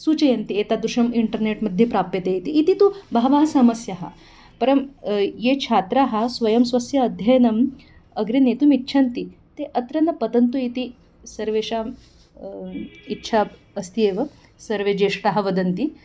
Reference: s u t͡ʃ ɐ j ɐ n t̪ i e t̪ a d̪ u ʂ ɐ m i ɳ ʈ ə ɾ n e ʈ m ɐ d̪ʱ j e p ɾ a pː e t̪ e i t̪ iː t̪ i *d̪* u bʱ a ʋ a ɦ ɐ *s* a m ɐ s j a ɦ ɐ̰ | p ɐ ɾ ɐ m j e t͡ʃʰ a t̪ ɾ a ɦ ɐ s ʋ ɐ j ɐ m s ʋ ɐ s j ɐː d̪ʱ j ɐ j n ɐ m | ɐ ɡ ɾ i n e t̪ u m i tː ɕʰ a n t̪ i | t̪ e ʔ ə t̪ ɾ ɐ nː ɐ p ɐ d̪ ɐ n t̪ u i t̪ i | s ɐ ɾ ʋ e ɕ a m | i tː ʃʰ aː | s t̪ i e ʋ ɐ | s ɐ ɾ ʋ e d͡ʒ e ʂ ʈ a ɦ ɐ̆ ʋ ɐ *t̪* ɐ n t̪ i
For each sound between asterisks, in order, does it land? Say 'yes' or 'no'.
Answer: no, yes, no

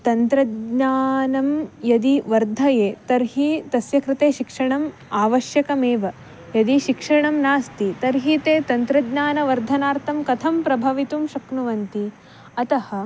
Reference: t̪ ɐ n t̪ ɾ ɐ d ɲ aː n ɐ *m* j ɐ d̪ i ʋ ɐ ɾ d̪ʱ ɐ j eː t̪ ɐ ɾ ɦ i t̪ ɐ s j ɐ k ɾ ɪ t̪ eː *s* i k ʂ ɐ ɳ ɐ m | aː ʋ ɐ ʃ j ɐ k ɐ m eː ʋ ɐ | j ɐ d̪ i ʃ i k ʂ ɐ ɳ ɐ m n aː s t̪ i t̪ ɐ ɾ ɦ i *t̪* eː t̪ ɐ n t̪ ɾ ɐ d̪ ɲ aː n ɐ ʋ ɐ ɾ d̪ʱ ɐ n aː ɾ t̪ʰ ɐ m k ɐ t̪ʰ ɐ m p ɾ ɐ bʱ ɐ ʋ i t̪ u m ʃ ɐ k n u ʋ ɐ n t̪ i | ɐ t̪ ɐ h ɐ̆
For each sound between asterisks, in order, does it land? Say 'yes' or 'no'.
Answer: yes, no, yes

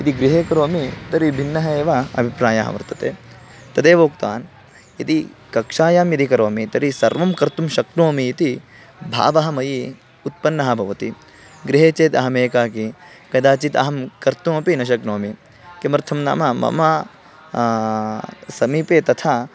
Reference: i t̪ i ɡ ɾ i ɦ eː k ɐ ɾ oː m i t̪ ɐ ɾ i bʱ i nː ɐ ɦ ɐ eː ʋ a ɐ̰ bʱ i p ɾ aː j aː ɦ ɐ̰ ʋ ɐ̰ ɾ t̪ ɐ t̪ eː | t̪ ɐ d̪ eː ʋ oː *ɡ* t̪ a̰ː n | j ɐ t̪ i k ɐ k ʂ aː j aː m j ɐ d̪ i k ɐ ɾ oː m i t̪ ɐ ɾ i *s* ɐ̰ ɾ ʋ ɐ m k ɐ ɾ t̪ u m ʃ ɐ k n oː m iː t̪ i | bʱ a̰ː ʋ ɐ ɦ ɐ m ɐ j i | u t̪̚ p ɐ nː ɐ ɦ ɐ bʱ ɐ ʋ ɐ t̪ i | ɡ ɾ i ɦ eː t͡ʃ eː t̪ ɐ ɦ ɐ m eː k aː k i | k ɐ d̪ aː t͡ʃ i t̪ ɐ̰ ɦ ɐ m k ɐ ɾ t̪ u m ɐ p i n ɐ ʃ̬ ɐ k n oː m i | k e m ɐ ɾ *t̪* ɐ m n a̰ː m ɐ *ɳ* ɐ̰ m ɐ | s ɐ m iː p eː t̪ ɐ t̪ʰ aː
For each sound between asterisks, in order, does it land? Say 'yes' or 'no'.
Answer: no, yes, no, no

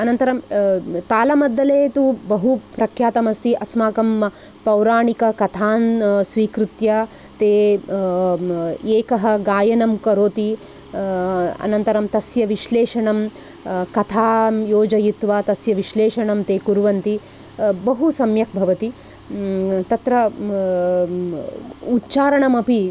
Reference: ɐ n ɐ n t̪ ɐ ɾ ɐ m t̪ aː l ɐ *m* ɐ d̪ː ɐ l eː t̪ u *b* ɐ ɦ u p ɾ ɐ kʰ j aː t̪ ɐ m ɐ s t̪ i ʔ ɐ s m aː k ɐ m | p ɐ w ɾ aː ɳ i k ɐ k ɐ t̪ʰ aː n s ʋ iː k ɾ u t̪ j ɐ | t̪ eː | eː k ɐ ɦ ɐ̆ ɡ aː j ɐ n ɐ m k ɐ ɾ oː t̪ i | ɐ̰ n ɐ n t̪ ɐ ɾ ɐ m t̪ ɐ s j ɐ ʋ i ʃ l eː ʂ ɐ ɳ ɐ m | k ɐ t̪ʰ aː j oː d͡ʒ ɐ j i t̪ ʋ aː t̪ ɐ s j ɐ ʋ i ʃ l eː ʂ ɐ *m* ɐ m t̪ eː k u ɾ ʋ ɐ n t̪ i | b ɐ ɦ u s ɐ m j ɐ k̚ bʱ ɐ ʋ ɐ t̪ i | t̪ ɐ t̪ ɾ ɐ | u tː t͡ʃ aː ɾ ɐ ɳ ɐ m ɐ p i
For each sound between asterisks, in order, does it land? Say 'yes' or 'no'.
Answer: yes, yes, no

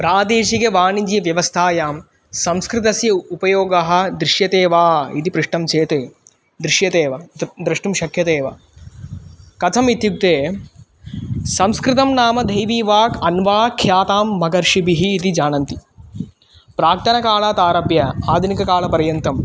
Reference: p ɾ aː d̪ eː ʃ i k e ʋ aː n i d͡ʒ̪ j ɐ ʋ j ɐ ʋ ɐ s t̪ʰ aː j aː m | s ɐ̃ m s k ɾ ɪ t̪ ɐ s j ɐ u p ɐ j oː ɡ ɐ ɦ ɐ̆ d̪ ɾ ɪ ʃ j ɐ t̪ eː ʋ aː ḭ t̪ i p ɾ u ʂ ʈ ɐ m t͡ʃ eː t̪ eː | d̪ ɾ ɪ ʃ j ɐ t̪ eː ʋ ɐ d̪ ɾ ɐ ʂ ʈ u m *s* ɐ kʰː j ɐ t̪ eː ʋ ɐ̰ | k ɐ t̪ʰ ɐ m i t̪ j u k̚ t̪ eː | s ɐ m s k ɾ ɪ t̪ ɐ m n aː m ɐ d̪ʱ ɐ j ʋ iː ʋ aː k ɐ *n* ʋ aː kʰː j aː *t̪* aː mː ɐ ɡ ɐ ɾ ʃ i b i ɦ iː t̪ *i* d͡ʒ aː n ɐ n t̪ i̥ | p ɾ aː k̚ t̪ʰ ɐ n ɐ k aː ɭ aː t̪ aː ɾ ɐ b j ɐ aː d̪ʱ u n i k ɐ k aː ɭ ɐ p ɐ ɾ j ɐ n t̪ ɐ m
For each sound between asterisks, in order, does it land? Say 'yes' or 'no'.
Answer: no, yes, yes, yes

